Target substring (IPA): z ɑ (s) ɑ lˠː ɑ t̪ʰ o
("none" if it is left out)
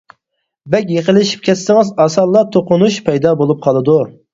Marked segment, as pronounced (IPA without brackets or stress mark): s